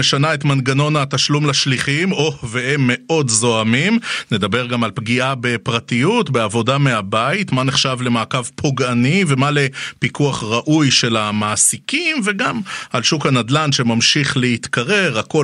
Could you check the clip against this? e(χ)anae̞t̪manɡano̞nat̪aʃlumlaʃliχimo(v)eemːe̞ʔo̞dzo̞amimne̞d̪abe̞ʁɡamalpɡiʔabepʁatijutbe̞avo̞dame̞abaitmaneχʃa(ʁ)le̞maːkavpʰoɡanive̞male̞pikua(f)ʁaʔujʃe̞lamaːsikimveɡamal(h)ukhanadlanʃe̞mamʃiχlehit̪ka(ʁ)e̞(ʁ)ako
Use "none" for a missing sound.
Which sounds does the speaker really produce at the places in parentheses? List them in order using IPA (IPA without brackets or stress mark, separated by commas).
ʃ, v, v, χ, ʃ, ʁ, ʁ